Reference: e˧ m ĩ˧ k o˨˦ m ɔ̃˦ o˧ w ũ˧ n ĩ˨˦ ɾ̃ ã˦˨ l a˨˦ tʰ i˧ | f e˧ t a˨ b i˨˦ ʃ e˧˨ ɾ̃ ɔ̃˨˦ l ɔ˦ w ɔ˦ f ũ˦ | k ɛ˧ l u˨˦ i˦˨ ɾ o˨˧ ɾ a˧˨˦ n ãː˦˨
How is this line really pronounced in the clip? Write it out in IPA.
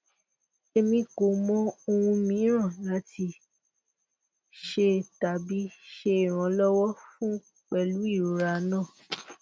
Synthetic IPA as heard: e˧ m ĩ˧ k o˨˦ m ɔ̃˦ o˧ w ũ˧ m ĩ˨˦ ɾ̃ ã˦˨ l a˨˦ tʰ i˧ | ʃ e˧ t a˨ b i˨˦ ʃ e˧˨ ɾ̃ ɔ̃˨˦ l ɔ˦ w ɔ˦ f ũ˦ | k͡p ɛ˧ l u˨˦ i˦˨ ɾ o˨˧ ɾ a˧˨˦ n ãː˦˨